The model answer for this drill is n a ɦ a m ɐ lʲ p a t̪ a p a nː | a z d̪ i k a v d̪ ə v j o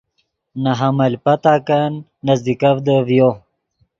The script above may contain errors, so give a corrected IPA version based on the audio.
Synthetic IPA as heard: n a ɦ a m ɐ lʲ p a t̪ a k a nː | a z d̪ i k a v d̪ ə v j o